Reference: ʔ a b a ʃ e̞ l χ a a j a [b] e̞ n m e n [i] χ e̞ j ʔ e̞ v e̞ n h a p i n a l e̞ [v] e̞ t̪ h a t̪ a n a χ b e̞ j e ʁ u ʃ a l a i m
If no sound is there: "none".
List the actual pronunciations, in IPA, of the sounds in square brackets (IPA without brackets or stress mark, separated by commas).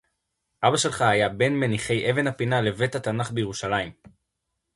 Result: b, i, v